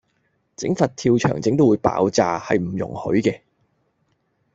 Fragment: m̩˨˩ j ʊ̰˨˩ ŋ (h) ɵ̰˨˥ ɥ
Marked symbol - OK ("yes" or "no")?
yes